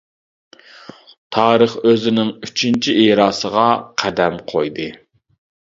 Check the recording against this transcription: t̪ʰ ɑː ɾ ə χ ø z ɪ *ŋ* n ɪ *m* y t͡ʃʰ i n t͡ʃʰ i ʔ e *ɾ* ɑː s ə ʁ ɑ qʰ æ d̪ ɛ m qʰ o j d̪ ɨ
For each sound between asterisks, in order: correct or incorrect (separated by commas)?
incorrect, incorrect, correct